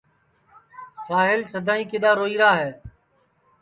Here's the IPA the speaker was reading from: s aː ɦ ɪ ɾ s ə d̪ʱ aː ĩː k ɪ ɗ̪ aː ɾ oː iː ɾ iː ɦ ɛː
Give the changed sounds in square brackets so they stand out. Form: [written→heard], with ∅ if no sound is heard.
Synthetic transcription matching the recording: s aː ɦ ɪ [ɾ→l] s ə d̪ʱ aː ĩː k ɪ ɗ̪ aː ɾ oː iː ɾ [iː→aː] ɦ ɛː

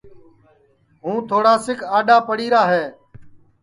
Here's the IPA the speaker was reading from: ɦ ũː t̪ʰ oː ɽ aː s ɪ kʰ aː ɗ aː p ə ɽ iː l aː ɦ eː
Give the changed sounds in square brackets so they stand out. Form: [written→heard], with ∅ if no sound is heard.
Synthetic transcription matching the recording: ɦ ũː t̪ʰ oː ɽ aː s ɪ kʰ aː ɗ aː p ə ɽ iː [l→ɾ] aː ɦ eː

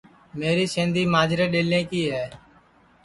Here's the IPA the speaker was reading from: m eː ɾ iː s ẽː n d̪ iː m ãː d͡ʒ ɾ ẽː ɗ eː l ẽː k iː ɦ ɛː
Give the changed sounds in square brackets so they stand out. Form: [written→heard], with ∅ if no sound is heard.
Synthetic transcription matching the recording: m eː ɾ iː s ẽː n d̪ iː m [ãː→aː] d͡ʒ ɾ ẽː ɗ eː l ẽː k iː ɦ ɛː

